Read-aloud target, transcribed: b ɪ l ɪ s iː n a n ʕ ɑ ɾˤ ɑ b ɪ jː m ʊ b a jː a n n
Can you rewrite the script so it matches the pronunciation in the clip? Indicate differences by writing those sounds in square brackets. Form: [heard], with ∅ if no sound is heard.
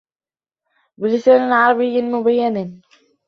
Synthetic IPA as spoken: b ɪ l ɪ s [aː] n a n ʕ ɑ ɾˤ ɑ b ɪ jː m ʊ b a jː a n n